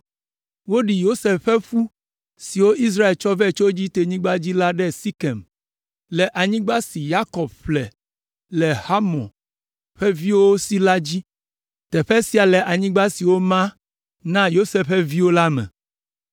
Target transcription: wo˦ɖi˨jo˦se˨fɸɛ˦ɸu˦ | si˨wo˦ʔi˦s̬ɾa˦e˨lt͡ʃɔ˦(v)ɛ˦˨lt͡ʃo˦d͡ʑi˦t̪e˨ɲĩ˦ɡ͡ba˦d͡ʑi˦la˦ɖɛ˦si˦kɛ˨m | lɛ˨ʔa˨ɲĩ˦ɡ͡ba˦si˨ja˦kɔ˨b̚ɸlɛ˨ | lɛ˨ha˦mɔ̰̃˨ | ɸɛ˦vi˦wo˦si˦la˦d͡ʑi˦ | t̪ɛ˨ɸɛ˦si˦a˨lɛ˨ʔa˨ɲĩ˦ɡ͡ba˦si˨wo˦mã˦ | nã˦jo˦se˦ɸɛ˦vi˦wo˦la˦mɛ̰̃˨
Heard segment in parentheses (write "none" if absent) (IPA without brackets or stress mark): v